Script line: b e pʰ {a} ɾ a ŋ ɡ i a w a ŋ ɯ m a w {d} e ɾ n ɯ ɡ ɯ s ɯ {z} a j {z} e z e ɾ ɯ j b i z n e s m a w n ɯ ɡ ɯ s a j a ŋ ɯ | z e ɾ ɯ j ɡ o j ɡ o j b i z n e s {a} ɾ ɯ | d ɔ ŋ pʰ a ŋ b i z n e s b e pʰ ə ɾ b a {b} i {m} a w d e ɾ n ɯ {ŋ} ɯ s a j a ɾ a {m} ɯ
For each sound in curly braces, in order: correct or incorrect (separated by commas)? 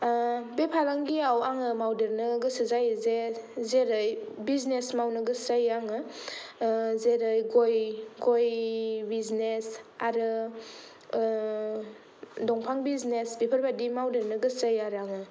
correct, correct, correct, correct, correct, incorrect, correct, incorrect, incorrect